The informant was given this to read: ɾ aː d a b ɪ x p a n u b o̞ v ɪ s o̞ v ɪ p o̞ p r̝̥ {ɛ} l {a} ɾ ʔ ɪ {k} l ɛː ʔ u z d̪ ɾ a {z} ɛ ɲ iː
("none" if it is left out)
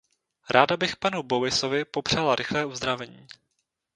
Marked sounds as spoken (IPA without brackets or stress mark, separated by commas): a, a, x, v